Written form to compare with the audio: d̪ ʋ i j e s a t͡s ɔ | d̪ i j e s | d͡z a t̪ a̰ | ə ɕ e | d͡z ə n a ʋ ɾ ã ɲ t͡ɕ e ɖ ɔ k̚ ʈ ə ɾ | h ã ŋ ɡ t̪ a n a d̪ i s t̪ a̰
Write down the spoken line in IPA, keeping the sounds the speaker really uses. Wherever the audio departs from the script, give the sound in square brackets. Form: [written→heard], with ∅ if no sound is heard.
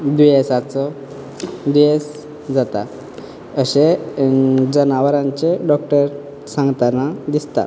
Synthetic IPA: d̪ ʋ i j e s a t͡s ɔ | d̪ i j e s | d͡z a t̪ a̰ | ə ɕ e | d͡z ə n a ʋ ɾ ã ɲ t͡ɕ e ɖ ɔ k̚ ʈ ə ɾ | [h→s] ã ŋ ɡ t̪ a n a d̪ i s t̪ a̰